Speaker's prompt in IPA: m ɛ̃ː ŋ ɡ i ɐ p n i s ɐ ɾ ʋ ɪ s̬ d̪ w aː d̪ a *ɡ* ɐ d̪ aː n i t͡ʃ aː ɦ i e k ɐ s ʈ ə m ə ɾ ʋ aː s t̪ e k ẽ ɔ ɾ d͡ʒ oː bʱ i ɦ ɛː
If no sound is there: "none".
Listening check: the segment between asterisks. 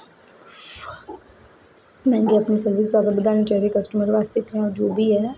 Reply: b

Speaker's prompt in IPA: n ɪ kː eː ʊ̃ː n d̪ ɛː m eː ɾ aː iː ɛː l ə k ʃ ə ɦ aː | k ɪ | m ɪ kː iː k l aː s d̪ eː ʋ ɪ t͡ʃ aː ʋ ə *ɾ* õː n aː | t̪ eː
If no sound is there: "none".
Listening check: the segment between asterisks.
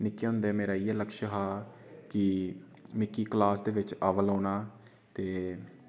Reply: l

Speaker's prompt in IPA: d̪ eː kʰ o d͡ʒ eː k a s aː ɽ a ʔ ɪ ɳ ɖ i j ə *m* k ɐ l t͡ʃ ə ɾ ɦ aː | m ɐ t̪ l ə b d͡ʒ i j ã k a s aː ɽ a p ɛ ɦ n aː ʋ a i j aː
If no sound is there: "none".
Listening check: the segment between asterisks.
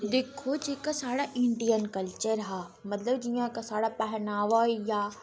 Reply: n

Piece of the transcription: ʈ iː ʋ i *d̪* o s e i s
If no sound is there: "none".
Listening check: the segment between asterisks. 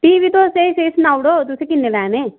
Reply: t̪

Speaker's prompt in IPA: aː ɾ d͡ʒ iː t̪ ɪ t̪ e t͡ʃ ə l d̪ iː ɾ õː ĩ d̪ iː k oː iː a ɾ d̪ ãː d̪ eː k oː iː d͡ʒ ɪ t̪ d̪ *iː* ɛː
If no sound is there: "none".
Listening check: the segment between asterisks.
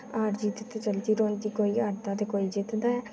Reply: aː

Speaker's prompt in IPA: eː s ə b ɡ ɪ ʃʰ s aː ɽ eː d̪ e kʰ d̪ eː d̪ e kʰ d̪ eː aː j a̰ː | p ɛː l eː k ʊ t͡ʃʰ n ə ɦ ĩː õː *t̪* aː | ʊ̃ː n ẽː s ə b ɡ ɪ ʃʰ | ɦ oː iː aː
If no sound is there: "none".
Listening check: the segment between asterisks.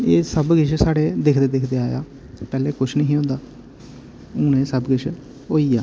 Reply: d̪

